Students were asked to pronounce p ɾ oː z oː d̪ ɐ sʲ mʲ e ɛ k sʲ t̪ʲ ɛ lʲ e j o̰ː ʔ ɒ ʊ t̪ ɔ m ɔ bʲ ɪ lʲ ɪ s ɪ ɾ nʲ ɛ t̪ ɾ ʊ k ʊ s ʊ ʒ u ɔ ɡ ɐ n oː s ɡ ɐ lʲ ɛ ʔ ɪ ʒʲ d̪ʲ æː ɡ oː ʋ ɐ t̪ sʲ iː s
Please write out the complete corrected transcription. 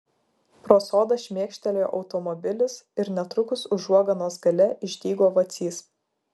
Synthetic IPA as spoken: p ɾ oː s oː d̪ ɐ ʃʲ mʲ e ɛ k ʃʲ t̪ʲ ɛ lʲ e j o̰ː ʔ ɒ ʊ t̪ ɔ m ɔ bʲ ɪ lʲ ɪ s ɪ ɾ nʲ ɛ t̪ ɾ ʊ k ʊ s ʊ ʒ u ɔ ɡ ɐ n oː s ɡ ɐ lʲ ɛ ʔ ɪ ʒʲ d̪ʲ iː ɡ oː ʋ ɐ t̪ sʲ iː s